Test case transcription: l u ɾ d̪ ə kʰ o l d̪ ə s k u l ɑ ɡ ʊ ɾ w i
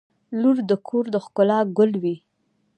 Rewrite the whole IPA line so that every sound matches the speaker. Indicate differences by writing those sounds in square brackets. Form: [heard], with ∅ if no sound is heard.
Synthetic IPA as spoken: l u ɾ d̪ ə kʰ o [ɾ] d̪ ə [x] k [ʊ] l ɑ ɡ ʊ [l] w i